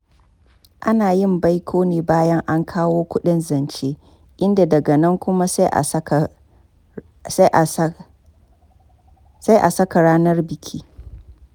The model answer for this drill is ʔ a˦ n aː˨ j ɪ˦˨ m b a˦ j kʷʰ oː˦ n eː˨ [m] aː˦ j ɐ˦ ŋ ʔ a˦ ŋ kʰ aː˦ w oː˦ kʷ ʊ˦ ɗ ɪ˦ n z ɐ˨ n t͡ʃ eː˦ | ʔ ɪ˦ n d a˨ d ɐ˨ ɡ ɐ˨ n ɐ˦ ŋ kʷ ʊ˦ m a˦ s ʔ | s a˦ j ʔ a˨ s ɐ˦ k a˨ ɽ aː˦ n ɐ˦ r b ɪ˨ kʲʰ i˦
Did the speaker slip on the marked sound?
yes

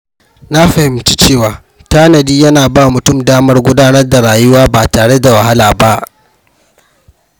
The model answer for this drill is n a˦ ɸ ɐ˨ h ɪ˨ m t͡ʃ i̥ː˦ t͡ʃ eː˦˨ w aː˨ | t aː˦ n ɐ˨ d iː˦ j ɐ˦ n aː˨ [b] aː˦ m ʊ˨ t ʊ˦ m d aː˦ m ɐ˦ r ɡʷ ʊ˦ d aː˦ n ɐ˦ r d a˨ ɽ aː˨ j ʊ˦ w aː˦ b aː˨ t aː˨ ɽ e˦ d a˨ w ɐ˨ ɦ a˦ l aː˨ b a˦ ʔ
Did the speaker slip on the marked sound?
no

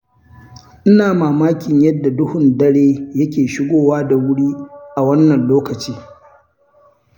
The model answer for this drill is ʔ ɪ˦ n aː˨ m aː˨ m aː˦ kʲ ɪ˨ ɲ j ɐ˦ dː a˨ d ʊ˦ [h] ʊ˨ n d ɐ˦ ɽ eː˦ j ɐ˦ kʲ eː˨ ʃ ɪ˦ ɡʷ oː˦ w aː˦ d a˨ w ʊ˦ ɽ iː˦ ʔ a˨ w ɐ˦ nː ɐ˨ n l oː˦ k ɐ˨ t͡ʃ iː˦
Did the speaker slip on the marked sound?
no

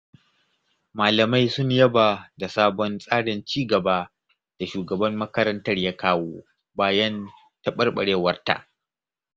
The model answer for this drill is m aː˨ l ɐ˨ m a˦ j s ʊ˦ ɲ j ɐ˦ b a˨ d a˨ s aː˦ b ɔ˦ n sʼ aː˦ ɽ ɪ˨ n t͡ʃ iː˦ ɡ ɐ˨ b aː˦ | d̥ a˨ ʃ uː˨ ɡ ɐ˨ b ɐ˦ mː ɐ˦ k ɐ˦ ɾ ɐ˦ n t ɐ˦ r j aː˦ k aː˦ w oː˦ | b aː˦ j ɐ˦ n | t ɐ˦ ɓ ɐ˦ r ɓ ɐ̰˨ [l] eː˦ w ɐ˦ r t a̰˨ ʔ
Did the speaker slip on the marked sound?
yes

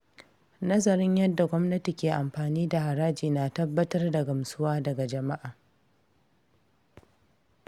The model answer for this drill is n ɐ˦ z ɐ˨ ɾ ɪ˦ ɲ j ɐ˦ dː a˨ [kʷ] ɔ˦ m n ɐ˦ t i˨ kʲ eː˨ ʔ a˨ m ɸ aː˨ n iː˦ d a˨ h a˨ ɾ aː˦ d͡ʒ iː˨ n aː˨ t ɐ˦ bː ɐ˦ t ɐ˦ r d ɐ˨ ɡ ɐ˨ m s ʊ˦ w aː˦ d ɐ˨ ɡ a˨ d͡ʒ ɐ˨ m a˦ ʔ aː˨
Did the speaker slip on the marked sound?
yes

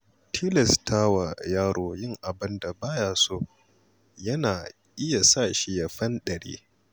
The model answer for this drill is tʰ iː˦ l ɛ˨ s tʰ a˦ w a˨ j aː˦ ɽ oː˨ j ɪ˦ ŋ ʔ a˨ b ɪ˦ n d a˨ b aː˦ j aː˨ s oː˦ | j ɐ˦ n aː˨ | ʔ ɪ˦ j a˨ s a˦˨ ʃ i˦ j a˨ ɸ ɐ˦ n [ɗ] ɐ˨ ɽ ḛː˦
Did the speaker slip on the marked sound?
no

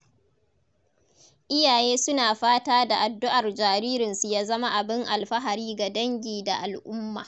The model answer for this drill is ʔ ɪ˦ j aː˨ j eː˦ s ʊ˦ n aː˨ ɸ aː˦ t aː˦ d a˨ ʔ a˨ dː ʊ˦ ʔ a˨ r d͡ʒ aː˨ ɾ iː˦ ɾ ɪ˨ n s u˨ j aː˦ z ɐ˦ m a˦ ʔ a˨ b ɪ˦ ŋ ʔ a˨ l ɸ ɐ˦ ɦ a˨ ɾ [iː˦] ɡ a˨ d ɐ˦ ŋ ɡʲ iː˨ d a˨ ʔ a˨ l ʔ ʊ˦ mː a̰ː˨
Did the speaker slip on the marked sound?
no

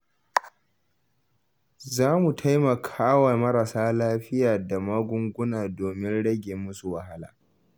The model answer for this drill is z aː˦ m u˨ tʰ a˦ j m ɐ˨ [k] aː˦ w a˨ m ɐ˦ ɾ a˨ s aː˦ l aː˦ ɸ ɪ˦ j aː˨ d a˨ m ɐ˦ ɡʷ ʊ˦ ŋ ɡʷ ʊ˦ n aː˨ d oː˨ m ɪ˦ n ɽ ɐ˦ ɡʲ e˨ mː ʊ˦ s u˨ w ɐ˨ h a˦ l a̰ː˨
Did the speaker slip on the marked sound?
yes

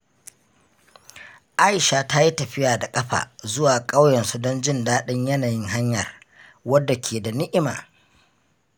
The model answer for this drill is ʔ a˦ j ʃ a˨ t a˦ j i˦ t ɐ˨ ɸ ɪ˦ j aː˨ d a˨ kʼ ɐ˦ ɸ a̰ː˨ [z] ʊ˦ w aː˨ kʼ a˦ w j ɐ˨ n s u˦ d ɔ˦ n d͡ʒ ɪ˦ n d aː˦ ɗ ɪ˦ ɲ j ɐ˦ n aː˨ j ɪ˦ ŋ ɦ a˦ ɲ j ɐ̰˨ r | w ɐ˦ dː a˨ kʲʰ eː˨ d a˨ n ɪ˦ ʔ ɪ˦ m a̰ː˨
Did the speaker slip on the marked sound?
no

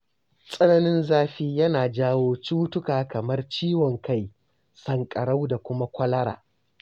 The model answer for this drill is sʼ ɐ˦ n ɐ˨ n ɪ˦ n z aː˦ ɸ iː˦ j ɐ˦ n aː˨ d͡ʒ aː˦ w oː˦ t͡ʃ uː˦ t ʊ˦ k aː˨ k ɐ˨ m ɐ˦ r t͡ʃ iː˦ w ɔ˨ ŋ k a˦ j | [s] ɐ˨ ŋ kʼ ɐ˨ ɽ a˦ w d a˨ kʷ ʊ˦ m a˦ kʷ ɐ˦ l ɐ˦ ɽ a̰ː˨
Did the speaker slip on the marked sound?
no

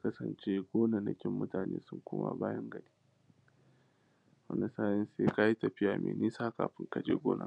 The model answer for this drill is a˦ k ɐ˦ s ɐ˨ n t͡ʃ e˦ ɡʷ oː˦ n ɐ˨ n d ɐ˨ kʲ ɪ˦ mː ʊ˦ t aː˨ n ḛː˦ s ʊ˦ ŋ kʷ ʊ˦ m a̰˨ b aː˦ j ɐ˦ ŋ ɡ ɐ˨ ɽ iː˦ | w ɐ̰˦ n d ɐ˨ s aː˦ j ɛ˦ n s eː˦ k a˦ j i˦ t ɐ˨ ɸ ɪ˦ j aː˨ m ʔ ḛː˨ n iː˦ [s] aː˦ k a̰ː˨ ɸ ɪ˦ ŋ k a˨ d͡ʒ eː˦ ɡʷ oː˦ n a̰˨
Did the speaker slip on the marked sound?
no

